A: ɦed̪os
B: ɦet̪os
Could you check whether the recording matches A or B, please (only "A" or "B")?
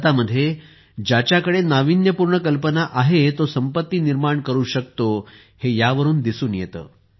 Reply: B